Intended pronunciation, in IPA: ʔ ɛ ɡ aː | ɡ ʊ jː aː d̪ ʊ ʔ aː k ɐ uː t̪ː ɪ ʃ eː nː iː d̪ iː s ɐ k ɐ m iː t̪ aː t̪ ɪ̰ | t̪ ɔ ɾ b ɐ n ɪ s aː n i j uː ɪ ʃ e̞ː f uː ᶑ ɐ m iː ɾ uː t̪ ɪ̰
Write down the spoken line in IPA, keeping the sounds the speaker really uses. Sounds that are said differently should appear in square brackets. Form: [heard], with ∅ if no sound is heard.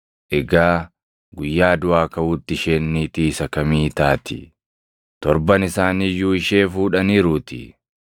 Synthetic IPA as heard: ʔ ɛ ɡ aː | ɡ ʊ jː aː d̪ ʊ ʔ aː k ɐ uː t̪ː ɪ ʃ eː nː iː [t̪] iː s ɐ k ɐ m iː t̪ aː t̪ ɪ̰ | t̪ ɔ ɾ b ɐ n ɪ s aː n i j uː ɪ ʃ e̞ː f uː ᶑ ɐ [n] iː ɾ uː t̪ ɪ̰